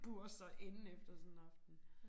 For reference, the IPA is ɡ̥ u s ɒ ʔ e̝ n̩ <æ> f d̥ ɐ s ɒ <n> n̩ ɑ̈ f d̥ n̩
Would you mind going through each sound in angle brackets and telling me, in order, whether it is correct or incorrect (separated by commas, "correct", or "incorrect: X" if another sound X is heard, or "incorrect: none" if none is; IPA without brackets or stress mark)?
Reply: incorrect: e, correct